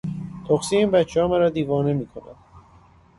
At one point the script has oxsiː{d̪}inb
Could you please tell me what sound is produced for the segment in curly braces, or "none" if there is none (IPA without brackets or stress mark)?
none